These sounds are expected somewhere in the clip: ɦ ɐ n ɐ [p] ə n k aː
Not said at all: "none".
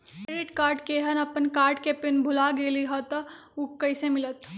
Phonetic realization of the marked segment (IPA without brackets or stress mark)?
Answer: p